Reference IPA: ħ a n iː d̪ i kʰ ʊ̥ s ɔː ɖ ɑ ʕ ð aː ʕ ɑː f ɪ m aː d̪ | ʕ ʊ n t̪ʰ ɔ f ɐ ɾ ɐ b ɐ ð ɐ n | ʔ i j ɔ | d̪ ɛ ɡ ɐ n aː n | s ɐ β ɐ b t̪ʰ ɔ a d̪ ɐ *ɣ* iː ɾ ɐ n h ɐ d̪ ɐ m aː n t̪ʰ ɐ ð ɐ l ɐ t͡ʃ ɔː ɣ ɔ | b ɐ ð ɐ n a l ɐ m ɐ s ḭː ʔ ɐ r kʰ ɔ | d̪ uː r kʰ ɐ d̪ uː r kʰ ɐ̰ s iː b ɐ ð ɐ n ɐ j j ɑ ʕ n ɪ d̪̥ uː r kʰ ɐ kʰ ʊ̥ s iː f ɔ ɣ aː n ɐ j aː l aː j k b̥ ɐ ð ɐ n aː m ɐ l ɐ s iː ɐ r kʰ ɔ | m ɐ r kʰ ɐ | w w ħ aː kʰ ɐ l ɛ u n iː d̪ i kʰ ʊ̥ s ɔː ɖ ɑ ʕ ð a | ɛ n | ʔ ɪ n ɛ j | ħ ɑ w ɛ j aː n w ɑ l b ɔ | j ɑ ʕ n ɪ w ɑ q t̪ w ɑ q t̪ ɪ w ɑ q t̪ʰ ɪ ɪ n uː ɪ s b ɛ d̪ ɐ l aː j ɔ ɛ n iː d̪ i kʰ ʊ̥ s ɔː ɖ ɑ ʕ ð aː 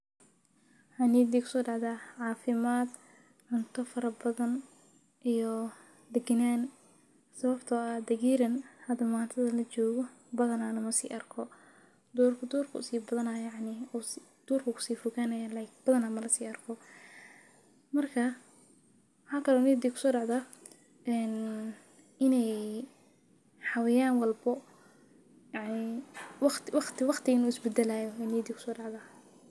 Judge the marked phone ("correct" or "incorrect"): correct